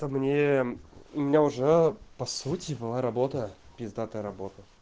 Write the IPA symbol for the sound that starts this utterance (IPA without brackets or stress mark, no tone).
t̪